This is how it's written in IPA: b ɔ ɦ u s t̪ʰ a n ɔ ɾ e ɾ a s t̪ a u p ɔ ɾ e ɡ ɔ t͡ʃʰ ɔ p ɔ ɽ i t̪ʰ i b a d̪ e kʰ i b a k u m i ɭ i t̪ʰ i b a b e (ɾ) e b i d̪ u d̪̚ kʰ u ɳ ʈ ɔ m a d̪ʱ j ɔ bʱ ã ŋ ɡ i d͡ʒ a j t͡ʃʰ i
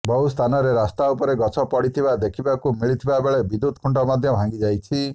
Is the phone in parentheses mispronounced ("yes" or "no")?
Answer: yes